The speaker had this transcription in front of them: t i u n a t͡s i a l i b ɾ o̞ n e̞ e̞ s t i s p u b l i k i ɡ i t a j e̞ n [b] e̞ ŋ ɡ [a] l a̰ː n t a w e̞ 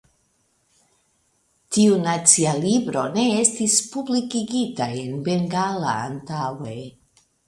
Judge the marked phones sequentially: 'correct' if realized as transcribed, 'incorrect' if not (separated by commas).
correct, correct